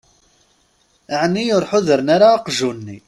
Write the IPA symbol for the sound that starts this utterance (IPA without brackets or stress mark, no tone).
ʕ